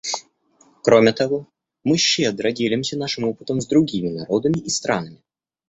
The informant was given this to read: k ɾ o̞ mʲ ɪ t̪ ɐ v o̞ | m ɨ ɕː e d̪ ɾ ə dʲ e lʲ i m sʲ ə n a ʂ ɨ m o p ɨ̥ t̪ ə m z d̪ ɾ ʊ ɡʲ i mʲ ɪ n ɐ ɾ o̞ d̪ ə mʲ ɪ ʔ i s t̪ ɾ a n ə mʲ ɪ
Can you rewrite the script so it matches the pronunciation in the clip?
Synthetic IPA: k ɾ o̞ mʲ ɪ t̪ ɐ v o̞ | m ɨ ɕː e d̪ ɾ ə dʲ e lʲ ɪ m sʲ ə n a ʂ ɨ m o p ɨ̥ t̪ ə m z d̪ ɾ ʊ ɡʲ i mʲ ɪ n ɐ ɾ o̞ d̪ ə mʲ ɪ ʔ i s t̪ ɾ a n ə mʲ ɪ